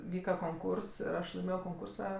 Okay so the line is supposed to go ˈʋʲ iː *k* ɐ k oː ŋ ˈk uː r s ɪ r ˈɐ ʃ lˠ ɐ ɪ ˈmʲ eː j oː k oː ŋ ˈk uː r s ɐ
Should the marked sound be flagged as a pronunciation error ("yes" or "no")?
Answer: no